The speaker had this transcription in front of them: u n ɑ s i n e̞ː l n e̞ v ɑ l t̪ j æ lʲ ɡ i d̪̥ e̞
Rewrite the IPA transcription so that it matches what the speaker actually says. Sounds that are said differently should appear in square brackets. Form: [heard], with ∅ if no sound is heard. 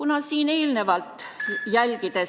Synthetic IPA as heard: u n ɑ s [iː] n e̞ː l n e̞ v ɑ l t̪ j æ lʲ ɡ i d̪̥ e̞